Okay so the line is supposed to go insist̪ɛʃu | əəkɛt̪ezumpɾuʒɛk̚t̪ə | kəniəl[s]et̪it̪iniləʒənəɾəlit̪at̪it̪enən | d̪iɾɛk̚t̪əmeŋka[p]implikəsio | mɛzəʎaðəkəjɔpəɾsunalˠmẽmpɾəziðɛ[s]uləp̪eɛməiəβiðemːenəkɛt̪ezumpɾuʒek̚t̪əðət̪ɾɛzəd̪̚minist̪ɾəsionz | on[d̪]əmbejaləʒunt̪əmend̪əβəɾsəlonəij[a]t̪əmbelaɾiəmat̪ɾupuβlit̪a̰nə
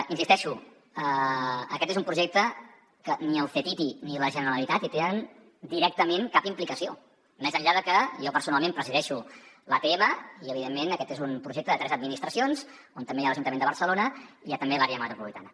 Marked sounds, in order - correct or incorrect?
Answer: incorrect: f, correct, incorrect: ʃ, incorrect: t̪, correct

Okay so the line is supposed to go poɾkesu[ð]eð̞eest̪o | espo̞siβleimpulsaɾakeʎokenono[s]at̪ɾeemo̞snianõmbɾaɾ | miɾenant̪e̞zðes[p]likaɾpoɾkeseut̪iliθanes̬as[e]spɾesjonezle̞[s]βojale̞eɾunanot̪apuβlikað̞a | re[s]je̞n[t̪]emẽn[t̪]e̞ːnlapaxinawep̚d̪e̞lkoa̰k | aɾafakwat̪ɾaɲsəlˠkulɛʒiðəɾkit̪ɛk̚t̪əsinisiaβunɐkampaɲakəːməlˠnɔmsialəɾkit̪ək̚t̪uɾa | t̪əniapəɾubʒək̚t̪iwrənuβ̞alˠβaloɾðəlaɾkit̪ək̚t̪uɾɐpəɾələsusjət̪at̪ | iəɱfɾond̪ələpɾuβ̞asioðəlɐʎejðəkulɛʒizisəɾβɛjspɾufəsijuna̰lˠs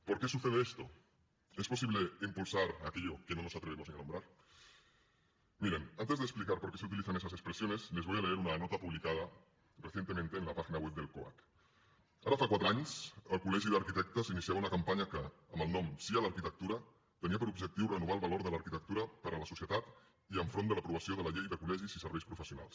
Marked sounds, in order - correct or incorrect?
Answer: incorrect: θ, correct, correct, correct, incorrect: z, incorrect: θ, correct, correct

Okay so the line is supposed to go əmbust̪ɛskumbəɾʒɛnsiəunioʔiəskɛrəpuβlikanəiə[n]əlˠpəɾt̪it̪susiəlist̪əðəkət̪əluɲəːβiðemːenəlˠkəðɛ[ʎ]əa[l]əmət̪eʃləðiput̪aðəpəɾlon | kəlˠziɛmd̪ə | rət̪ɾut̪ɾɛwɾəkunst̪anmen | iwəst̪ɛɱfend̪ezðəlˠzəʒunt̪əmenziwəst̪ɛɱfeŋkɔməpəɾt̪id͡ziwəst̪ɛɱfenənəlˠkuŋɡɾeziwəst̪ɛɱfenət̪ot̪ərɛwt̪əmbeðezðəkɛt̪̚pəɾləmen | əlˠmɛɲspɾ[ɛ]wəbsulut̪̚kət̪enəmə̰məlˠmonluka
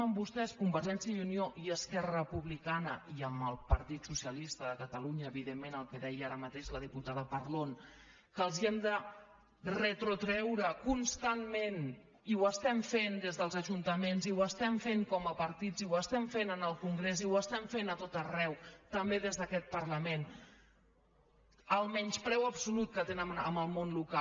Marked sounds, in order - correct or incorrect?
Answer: incorrect: m, incorrect: j, incorrect: ɾ, correct

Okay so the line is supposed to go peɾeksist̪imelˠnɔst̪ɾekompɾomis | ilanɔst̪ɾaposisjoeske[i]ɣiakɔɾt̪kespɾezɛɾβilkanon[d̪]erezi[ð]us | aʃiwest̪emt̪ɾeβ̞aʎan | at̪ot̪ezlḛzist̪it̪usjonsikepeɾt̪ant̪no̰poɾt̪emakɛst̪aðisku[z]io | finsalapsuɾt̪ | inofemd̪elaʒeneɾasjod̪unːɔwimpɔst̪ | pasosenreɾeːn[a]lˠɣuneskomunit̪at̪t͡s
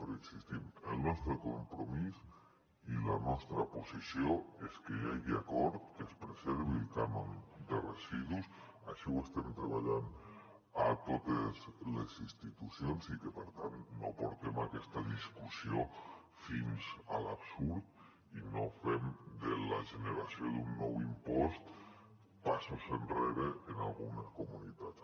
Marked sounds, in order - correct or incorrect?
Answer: incorrect: a, correct, correct, incorrect: s, correct

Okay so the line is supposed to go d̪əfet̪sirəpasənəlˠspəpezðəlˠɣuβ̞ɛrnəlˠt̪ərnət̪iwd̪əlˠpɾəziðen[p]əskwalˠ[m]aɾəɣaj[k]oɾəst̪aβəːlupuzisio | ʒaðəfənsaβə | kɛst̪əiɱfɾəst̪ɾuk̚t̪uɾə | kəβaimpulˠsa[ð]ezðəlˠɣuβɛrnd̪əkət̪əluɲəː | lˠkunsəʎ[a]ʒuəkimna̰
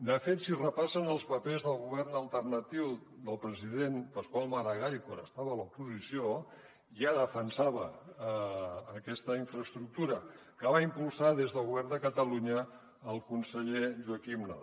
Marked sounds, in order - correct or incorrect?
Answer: correct, correct, correct, correct, incorrect: e

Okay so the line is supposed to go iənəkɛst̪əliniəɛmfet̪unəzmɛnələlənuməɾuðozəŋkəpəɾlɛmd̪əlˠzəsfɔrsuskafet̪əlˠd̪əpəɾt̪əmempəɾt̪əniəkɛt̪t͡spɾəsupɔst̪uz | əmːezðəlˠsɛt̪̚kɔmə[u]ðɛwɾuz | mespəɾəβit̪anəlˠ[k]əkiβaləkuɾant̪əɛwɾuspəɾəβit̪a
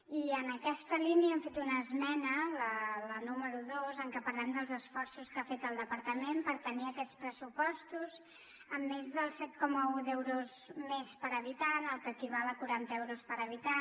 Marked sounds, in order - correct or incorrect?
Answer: correct, correct

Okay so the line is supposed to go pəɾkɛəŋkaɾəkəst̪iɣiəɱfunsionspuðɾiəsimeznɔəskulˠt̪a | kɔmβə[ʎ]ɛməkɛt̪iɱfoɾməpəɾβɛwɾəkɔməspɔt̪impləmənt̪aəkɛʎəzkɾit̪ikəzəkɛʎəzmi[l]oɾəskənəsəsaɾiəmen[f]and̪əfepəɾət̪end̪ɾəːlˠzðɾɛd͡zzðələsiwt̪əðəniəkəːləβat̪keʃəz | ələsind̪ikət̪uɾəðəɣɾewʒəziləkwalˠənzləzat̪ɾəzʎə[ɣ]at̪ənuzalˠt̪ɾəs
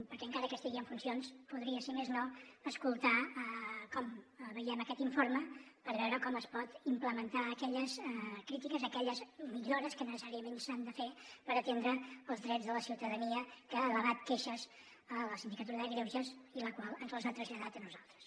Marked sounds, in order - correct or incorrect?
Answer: incorrect: j, incorrect: ʎ, incorrect: s, incorrect: ð

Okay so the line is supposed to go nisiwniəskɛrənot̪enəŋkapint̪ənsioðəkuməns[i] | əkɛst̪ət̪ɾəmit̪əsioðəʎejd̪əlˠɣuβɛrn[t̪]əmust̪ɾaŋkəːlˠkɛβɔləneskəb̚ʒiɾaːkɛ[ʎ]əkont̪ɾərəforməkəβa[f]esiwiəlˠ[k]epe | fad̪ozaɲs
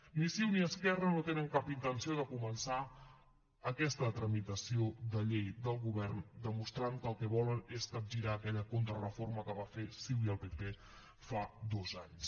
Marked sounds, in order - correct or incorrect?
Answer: incorrect: a, incorrect: d̪, correct, correct, incorrect: p

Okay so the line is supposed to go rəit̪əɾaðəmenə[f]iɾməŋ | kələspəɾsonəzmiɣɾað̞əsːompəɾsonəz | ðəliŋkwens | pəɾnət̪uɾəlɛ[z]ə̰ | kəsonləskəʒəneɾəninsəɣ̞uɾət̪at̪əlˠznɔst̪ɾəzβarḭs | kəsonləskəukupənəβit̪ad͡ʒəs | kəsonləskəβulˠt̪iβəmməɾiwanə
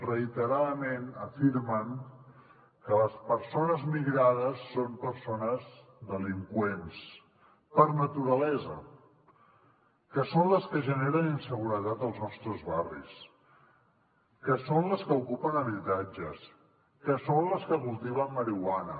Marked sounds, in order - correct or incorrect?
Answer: correct, correct

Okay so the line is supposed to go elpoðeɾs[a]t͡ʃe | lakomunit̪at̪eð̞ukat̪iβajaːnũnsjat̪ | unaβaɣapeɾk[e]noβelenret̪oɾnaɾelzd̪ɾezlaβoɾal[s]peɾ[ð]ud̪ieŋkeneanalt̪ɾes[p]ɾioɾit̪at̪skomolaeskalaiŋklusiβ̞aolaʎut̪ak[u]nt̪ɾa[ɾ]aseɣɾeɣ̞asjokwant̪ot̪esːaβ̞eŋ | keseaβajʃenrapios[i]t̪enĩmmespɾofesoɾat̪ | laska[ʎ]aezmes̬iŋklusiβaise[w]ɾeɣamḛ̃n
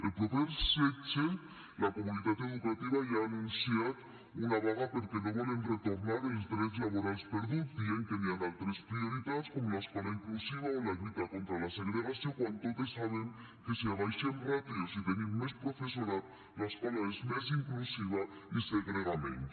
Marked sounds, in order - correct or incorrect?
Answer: incorrect: e, correct, correct, correct, correct, incorrect: o, incorrect: l, correct, incorrect: l, incorrect: ɣ

